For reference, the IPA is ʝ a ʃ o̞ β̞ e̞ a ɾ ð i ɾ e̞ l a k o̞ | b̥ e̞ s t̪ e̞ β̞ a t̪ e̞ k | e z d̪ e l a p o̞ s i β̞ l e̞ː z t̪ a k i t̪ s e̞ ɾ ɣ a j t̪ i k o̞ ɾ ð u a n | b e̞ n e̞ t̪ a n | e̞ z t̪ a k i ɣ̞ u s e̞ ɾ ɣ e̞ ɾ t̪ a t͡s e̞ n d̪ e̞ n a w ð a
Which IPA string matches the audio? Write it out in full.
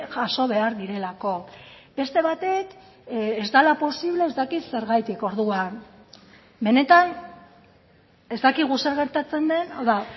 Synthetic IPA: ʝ a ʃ o̞ β̞ e̞ a ɾ ð i ɾ e̞ l a k o̞ | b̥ e̞ s t̪ e̞ β̞ a t̪ e̞ k | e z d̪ a l a p o̞ s i β̞ l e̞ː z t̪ a k i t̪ s e̞ ɾ ɣ a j t̪ i k o̞ ɾ ð u a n | b e̞ n e̞ t̪ a n | e̞ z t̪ a k i ɣ̞ u s e̞ ɾ ɣ e̞ ɾ t̪ a t͡s e̞ n d̪ e̞ n a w ð a